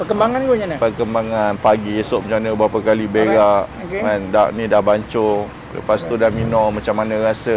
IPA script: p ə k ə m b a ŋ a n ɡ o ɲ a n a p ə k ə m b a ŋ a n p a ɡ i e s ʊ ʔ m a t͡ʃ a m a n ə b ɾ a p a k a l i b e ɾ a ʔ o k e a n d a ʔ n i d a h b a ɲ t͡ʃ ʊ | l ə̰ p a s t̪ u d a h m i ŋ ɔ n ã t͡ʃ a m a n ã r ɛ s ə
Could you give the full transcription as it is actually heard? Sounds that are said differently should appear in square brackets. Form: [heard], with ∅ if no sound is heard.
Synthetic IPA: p ə k ə m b a ŋ a n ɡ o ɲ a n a p ə k ə m b a ŋ a n p a ɡ i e s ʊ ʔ m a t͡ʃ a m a n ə b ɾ a p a k a l i b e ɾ a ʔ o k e a n d a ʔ n i d a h b a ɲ t͡ʃ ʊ | l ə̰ p a s t̪ u d a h m i [n] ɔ [m] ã t͡ʃ a m a n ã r [a] s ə